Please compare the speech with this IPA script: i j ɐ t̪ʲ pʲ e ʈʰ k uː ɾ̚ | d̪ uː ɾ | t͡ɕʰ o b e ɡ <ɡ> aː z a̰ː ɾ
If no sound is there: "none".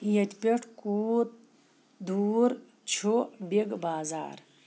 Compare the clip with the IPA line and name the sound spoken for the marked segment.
b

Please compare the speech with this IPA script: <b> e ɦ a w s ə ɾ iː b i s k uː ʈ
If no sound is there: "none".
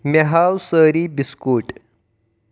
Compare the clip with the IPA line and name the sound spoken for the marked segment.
m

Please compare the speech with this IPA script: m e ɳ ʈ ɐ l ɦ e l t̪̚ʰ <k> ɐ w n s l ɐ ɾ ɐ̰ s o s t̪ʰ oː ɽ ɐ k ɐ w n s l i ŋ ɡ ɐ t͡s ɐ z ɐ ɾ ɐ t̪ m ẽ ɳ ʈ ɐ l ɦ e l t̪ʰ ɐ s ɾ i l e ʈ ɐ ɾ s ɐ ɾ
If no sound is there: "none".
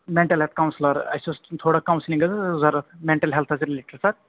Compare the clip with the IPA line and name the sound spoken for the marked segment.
k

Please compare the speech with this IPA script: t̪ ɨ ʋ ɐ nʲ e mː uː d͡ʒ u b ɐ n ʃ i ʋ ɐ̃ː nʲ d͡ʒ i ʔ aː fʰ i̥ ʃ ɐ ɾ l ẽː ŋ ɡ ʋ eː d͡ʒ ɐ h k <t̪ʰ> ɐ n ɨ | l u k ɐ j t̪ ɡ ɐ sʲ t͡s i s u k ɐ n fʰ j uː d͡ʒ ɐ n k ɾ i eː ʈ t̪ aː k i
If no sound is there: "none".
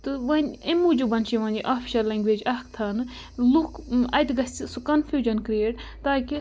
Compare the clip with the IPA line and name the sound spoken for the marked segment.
t̪ʰ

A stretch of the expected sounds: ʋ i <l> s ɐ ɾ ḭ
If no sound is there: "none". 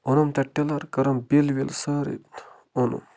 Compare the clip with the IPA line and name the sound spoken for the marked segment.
l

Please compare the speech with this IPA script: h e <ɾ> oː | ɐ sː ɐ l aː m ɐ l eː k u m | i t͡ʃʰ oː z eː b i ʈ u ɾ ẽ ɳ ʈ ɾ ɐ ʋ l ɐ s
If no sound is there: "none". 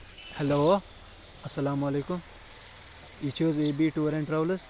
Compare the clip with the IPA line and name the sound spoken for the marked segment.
l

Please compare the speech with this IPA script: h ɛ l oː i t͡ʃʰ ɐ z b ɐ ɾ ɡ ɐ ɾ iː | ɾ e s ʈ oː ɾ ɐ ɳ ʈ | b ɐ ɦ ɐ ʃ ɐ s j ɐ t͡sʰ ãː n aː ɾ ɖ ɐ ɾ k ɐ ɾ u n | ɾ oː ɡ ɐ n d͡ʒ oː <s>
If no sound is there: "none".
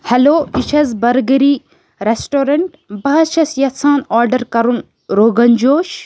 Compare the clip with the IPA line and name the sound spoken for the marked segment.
ʃ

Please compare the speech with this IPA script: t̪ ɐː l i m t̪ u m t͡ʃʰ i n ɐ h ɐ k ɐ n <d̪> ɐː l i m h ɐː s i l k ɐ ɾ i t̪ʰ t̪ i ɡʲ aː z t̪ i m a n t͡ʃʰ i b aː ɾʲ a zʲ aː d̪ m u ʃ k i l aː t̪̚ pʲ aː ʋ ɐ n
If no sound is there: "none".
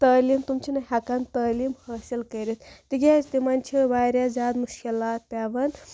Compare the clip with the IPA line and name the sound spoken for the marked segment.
t̪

